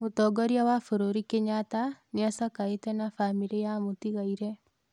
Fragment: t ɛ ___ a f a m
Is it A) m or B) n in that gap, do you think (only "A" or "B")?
B